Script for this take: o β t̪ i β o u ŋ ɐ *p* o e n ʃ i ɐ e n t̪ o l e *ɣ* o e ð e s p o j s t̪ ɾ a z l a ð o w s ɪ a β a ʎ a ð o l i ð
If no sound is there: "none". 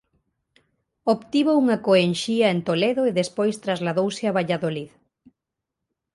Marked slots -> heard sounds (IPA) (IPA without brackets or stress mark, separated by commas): k, ð